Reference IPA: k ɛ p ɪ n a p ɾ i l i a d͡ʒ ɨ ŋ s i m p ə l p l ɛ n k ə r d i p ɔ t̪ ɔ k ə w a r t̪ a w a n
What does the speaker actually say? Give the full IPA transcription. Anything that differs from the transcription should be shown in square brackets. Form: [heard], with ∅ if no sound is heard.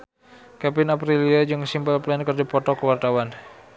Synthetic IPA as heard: k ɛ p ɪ n a p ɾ i l i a d͡ʒ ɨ ŋ s i m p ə l p l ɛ n k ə r d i p ɔ t̪ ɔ k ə w a r t̪ a w a n